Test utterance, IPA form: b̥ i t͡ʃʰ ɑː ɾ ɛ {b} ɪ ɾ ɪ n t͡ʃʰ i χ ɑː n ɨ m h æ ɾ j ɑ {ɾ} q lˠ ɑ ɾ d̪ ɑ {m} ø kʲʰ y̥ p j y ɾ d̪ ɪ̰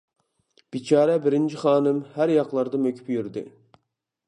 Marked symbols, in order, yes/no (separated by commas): yes, no, yes